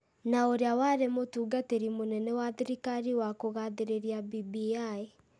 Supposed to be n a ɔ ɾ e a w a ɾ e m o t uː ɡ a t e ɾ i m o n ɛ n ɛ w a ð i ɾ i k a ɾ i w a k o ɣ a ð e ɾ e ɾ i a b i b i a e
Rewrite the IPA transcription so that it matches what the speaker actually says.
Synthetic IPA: n a o ɾ e a w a ɾ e m o t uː ɡ a t e ɾ i m o n ɛ n ɛ w a ð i ɾ i k a ɾ i w a k o ɣ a ð e ɾ e ɾ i a b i b i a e

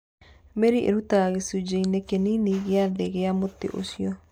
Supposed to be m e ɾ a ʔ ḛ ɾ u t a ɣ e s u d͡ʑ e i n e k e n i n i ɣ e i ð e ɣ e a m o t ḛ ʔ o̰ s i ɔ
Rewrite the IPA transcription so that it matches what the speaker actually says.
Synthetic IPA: m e ɾ i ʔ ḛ ɾ u t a ɣ e s u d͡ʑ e i n e k e n i n i ɣ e a ð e ɣ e a m o t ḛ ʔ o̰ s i ɔ

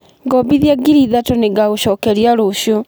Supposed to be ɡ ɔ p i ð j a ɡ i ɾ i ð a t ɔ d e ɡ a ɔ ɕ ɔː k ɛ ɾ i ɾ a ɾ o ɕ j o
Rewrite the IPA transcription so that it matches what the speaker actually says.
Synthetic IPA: ɡ ɔ b i ð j a ɡ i ɾ i ð a t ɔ n e ɡ a o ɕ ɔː k ɛ ɾ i a ɾ o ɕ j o

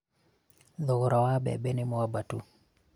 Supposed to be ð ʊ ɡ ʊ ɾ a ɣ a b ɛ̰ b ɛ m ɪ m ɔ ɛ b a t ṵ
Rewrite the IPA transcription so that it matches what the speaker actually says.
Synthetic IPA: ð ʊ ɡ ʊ ɾ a w a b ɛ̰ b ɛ n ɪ m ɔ a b a t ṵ

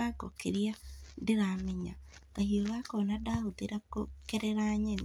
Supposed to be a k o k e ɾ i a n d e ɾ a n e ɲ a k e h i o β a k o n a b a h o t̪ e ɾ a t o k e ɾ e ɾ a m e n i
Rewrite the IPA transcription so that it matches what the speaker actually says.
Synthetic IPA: a k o k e ɾ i a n d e ɾ a m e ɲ a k a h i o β a k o n a d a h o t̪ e ɾ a k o k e ɾ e ɾ a ɲ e n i

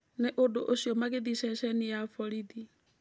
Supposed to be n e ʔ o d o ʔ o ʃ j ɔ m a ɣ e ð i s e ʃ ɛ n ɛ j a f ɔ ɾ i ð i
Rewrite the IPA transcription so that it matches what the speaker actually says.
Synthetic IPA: n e ʔ o d o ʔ o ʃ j ɔ m a ɣ e ð i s ɛ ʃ ɛ n i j a f ɔ ɾ i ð i

